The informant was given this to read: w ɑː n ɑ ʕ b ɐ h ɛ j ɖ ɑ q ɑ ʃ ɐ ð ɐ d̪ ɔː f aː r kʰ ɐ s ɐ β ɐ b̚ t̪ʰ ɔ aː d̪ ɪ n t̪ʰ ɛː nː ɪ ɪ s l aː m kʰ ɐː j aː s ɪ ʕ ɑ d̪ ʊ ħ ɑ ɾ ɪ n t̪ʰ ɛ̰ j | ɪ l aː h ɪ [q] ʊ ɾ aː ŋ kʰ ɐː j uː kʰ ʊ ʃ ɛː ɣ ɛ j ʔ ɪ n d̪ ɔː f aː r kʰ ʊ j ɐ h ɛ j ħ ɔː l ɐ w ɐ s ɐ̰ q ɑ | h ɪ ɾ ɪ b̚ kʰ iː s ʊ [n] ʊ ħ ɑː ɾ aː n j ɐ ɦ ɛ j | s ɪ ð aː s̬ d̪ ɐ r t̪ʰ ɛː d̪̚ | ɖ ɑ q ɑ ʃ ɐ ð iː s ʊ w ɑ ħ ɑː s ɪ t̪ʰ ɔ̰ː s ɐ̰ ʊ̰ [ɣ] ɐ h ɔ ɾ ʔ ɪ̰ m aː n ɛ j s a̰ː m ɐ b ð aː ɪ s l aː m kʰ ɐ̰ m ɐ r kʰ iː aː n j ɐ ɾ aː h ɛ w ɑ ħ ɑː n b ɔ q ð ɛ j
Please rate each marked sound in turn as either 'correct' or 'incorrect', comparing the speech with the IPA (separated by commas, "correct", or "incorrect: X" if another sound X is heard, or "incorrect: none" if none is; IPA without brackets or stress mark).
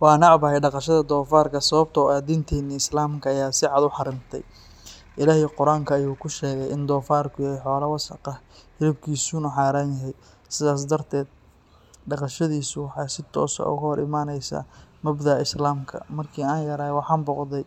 correct, correct, correct